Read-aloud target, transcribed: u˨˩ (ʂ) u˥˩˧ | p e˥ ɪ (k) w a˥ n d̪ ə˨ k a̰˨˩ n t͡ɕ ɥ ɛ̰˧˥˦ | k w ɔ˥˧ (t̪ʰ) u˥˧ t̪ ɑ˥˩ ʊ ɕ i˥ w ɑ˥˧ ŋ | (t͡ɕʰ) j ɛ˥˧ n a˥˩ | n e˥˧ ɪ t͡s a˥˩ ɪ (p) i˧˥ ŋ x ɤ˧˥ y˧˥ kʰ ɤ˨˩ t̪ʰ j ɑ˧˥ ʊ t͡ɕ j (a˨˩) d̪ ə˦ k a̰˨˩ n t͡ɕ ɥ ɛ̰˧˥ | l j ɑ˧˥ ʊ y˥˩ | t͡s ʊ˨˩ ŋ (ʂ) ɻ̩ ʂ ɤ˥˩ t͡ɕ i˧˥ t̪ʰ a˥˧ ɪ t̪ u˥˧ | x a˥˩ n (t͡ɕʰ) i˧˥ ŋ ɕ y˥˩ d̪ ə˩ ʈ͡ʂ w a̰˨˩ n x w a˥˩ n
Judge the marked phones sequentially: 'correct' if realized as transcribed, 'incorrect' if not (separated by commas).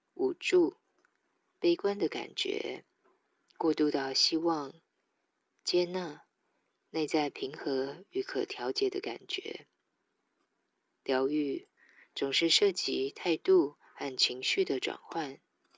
incorrect, correct, incorrect, incorrect, incorrect, incorrect, correct, correct